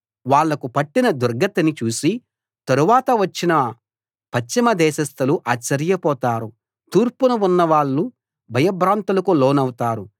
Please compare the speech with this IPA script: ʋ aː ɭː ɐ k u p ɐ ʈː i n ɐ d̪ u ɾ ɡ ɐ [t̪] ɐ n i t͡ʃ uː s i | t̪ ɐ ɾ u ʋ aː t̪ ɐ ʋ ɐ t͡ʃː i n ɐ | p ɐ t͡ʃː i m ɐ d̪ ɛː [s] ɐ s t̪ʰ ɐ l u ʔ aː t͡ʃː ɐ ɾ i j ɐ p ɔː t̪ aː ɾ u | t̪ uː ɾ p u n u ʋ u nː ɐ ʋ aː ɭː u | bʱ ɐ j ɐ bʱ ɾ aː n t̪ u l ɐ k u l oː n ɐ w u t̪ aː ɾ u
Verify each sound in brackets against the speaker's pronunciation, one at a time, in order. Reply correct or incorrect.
correct, incorrect: ʃ

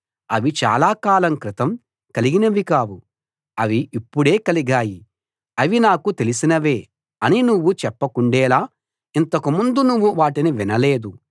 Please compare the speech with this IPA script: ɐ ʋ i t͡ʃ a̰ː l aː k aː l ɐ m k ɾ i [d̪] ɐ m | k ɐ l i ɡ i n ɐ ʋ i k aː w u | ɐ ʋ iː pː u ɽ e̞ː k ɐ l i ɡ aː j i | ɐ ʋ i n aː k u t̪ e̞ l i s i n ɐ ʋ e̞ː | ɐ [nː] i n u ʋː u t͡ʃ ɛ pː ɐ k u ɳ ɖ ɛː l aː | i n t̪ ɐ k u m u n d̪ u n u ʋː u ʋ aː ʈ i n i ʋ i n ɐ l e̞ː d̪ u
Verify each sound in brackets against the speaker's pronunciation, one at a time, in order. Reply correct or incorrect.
incorrect: t̪, incorrect: n

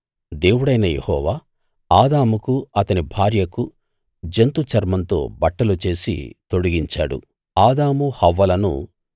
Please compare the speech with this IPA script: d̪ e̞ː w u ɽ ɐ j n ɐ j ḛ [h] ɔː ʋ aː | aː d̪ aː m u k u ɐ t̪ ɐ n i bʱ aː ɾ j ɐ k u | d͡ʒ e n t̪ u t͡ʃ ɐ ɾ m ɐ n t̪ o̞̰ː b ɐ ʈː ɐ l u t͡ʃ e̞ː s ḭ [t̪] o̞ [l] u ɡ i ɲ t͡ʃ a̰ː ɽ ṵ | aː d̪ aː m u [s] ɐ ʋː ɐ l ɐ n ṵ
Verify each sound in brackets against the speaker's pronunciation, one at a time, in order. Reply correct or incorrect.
correct, correct, incorrect: ɽ, incorrect: h

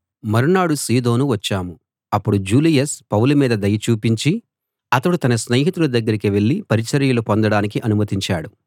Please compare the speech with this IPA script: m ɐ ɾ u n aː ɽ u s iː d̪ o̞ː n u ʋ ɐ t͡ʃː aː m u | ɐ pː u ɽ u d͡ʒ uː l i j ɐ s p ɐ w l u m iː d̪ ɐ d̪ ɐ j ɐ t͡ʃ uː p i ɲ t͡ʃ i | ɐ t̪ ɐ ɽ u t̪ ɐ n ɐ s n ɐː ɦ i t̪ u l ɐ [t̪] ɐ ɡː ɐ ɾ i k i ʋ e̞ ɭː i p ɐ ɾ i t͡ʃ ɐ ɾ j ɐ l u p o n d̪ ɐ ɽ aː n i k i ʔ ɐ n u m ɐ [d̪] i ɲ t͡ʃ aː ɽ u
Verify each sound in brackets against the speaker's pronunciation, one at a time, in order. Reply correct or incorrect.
incorrect: d̪, incorrect: t̪

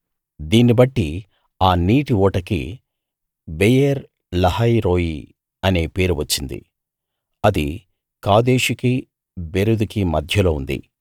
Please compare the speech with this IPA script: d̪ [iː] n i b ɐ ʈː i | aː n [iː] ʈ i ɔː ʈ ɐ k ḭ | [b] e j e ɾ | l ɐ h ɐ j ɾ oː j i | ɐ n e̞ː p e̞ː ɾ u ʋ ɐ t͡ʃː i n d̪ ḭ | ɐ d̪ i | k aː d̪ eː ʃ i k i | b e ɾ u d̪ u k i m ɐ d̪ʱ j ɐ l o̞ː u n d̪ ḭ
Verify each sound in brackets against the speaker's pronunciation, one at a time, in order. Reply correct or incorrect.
correct, correct, correct

